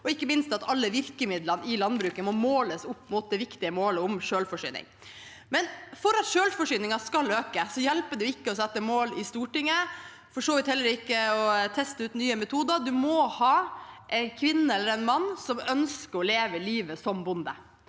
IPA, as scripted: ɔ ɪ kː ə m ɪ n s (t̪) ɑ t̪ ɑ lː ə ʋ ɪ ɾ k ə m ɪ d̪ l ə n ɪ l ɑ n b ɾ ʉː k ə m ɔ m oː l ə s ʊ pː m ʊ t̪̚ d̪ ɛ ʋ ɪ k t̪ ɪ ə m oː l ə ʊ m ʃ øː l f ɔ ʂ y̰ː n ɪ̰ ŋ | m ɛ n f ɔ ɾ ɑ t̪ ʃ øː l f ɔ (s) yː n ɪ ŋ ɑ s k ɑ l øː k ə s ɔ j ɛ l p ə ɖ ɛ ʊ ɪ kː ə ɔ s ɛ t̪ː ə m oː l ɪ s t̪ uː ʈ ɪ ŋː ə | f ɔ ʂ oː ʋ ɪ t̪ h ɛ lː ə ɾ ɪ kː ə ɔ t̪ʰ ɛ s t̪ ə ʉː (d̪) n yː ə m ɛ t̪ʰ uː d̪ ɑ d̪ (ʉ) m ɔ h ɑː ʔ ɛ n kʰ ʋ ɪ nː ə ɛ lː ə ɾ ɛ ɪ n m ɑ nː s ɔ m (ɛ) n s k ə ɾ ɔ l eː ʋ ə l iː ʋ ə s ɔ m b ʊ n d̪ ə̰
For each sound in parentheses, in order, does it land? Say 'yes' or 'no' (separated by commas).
yes, no, no, yes, no